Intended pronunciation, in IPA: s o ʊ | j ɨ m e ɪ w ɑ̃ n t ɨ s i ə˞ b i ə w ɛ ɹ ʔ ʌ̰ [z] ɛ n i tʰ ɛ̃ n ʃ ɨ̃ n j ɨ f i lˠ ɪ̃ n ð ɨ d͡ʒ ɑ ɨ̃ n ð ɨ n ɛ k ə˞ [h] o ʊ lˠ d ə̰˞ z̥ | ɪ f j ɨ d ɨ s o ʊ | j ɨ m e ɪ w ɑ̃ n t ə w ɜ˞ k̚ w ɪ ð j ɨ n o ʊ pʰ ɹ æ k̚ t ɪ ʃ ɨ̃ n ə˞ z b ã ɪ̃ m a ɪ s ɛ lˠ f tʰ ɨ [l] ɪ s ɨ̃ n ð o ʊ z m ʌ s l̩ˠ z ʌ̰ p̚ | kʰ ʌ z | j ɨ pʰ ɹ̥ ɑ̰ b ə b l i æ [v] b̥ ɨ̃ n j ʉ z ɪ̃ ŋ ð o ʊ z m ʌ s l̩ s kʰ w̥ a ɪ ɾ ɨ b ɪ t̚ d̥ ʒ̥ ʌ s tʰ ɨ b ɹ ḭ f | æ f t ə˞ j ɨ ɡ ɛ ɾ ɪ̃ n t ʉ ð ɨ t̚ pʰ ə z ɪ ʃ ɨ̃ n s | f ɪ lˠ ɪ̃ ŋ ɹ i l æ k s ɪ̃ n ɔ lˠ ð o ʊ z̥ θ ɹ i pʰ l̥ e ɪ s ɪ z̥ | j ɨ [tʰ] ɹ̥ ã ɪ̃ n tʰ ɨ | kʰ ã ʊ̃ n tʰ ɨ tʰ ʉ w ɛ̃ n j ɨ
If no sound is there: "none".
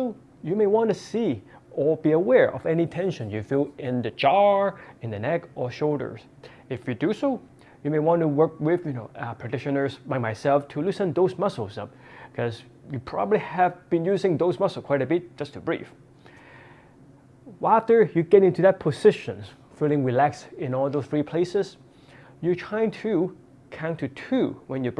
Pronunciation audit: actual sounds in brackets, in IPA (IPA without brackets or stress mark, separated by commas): v, ʃ, l, v, tʰ